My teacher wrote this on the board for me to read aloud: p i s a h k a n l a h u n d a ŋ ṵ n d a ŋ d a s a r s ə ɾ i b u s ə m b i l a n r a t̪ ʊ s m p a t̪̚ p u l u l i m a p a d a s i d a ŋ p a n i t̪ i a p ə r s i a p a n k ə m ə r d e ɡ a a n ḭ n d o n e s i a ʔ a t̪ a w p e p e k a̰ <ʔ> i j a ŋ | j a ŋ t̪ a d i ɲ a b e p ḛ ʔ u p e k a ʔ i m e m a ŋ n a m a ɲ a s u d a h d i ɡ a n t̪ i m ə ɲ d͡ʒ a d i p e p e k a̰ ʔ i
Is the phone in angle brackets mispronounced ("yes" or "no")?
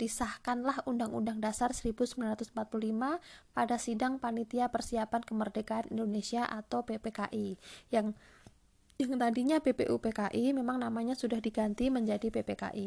no